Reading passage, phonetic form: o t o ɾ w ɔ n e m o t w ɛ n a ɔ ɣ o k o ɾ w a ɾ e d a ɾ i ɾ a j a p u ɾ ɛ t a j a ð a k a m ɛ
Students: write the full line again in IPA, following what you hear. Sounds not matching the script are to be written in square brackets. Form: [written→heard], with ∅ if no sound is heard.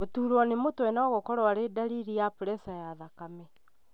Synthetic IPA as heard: o t [o→u] ɾ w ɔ n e m o t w ɛ n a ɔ ɣ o k [o→ɔ] ɾ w a ɾ e d a ɾ i ɾ [a→i] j a p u ɾ ɛ [t→s] a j a ð a k a m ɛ